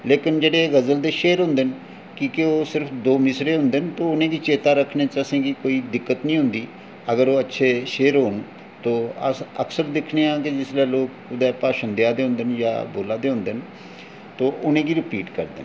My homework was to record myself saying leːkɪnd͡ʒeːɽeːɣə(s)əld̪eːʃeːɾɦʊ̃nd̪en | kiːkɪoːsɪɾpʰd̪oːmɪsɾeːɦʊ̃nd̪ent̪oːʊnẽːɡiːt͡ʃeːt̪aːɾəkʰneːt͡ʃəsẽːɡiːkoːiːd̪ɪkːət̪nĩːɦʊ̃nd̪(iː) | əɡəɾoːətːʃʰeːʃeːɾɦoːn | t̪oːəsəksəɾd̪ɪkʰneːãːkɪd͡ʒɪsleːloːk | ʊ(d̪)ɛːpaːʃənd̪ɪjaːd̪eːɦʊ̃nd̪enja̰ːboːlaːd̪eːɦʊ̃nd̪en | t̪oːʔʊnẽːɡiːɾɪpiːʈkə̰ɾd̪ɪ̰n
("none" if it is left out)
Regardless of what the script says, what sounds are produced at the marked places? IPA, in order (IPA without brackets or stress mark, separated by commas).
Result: z, iː, d̪